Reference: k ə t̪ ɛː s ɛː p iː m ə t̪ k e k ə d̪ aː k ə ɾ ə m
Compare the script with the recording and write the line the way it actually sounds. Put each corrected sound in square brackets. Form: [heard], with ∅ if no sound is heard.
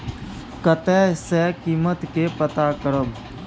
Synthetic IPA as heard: k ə t̪ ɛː s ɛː [k] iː m ə t̪ k e [p] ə [t̪] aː k ə ɾ ə m